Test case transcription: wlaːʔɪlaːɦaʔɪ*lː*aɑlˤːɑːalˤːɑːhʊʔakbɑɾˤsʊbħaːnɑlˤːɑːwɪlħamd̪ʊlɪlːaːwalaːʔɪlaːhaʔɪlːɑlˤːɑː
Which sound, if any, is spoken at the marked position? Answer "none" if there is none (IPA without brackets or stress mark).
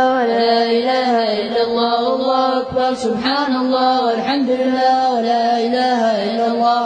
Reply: lː